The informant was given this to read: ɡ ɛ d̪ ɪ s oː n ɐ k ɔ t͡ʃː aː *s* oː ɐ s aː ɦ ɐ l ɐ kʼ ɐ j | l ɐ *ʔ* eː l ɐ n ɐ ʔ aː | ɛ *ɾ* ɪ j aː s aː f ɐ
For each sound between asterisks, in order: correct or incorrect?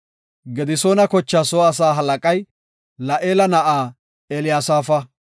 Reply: correct, correct, incorrect

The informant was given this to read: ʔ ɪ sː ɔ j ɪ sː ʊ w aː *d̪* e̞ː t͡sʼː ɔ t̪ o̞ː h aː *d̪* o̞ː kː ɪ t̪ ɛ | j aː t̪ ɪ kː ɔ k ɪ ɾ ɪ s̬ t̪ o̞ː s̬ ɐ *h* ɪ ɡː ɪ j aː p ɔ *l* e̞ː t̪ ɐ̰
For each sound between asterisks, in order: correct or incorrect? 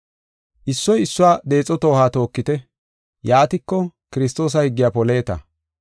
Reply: correct, incorrect, correct, correct

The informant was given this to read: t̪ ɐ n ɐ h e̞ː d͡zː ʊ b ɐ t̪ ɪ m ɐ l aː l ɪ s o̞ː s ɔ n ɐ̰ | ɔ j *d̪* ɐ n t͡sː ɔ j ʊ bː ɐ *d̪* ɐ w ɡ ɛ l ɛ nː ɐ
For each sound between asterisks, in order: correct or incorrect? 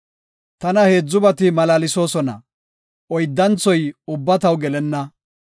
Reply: incorrect, incorrect

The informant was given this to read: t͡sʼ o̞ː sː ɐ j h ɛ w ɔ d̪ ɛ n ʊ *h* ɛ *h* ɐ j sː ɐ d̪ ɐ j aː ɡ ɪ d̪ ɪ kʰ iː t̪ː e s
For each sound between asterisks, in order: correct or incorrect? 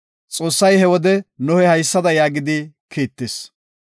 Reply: correct, correct

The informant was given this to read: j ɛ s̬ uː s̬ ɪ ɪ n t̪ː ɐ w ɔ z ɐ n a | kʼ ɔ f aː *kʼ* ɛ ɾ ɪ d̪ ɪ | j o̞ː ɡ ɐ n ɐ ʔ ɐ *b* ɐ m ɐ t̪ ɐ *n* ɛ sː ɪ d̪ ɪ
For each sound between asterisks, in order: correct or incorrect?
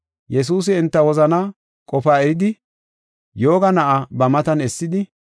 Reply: incorrect, correct, correct

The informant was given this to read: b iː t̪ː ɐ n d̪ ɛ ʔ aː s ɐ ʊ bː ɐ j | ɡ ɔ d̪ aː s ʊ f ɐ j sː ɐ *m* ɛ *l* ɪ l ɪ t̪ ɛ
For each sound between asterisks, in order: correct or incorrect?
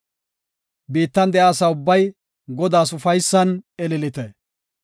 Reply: incorrect, correct

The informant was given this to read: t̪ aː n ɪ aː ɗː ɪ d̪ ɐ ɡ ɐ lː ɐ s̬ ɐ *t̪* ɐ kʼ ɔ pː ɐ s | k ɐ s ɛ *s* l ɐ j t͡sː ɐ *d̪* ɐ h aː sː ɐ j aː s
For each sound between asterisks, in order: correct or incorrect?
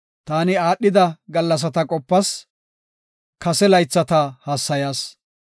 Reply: correct, incorrect, incorrect

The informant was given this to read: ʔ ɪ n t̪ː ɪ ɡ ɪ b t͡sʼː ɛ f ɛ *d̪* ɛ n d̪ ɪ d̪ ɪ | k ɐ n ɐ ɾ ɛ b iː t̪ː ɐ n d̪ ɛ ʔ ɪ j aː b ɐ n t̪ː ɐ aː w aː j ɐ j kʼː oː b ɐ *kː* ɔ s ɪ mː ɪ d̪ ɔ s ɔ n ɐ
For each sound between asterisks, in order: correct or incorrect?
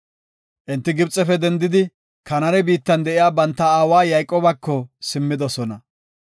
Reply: correct, correct

